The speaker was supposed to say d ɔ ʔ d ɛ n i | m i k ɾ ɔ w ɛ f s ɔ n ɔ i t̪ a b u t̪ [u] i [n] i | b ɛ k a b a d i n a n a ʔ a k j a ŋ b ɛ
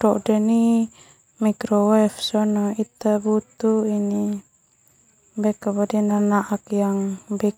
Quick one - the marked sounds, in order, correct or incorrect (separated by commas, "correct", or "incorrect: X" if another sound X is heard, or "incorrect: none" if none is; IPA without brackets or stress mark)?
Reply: correct, correct